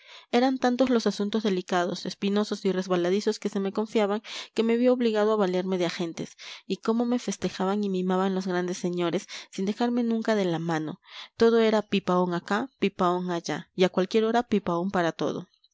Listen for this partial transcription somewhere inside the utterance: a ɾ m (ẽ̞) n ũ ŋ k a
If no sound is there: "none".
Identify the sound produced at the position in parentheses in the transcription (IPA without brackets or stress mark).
e̞